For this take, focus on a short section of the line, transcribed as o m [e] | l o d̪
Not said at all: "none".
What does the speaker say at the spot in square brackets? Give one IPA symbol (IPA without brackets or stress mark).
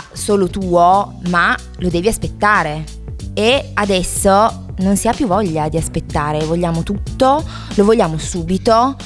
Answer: a